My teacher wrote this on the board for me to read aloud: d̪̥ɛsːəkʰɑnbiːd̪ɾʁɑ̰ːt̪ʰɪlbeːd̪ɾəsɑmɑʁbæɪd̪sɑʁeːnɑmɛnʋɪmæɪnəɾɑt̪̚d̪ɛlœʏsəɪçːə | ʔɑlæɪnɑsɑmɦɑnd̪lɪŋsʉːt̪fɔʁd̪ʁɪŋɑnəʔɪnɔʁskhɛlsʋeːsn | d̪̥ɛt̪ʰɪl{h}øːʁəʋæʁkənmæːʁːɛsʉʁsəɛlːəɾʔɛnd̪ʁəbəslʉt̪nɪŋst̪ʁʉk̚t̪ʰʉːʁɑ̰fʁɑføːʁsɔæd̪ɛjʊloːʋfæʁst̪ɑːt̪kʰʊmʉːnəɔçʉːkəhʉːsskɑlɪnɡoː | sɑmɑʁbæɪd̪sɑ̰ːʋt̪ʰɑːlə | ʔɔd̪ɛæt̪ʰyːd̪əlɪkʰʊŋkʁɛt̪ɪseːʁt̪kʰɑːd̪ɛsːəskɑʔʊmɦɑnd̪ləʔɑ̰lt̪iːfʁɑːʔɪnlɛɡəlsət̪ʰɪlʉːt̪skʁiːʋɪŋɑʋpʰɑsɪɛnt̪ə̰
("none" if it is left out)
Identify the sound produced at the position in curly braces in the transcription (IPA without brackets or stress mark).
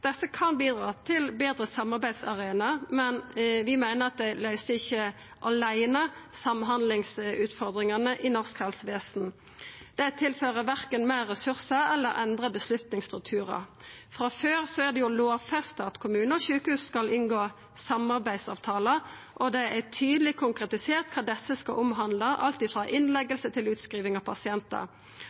f